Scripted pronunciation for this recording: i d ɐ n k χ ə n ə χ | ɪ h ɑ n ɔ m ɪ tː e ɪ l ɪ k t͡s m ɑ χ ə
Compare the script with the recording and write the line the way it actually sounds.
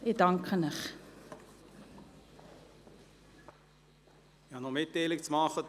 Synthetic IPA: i d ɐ ŋ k χ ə n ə χ | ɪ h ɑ n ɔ m ɪ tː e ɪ l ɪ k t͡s m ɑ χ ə